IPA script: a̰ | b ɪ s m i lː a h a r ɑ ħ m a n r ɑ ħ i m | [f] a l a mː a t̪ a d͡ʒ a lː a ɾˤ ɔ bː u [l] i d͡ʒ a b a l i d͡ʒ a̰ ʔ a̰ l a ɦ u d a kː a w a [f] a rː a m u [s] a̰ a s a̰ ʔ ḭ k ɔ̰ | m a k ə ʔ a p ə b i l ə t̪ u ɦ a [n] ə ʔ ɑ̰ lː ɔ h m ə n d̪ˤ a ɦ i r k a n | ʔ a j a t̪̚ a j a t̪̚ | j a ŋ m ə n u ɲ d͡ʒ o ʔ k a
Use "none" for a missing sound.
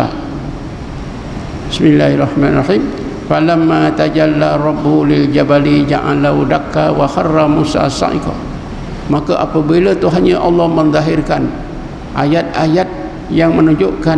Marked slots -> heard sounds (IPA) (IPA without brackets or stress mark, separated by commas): f, l, x, s, ɲ